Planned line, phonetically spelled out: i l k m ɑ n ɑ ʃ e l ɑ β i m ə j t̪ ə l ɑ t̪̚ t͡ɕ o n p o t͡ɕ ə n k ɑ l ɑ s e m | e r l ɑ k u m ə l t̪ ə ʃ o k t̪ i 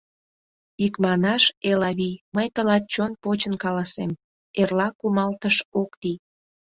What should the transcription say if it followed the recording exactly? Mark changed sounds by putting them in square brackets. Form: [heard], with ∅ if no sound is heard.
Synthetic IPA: i [∅] k m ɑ n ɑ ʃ e l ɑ β i m ə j t̪ ə l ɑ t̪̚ t͡ɕ o n p o t͡ɕ ə n k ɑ l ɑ s e m | e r l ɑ k u m [ɑ] l t̪ ə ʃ o k t̪ i